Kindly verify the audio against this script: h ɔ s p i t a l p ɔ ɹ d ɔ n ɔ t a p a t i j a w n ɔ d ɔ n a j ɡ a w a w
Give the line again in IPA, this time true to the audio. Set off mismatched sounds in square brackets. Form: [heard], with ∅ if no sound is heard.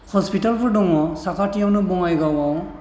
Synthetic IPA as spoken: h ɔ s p i t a l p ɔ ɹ d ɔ [ŋ] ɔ [s] a [k] a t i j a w n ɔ [b] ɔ [ŋ] a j ɡ a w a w